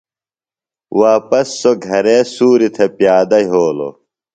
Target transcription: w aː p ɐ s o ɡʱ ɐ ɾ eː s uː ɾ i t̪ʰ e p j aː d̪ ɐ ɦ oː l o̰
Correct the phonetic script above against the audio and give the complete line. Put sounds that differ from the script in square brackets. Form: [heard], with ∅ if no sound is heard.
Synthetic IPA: w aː p ɐ [sː] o ɡʱ ɐ ɾ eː s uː ɾ i t̪ʰ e p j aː d̪ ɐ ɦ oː l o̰